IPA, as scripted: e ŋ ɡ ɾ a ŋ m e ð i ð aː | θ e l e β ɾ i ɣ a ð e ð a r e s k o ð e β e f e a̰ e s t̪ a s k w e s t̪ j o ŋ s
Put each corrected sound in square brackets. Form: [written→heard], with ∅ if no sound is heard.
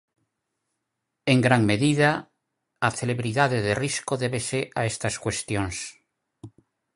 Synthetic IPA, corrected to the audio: e ŋ ɡ ɾ a ŋ m e ð i ð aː | θ e l e β ɾ i [ɣ→ð] a ð e ð [a→e] r [e→i] s k o ð e β e [f→s] e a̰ e s t̪ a s k w e s t̪ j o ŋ s